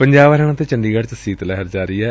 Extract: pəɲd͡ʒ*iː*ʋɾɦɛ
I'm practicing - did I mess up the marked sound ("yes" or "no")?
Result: yes